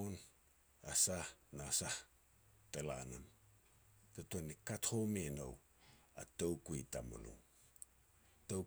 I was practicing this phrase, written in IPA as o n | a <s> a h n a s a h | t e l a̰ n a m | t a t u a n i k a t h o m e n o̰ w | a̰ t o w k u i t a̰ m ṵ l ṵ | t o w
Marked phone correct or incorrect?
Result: correct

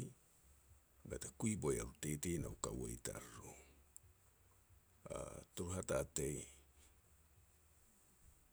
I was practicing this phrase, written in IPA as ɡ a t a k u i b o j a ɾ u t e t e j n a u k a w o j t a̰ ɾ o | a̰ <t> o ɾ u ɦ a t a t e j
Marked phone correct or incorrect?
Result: correct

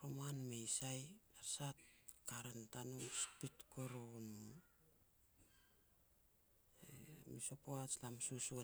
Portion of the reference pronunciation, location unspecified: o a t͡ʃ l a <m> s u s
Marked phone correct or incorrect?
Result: correct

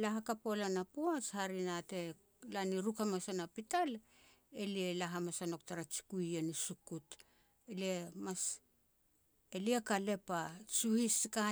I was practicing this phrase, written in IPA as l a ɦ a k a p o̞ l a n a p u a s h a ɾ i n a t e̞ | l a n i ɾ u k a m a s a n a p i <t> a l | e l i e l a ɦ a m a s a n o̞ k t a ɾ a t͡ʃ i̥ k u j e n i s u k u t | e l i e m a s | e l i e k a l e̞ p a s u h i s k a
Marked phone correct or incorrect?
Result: correct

